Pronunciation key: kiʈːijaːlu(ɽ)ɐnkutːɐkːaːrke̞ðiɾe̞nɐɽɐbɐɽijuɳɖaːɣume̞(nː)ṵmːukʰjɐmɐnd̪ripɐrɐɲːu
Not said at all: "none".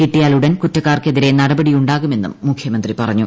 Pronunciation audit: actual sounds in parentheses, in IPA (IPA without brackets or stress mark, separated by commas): ɽ, nː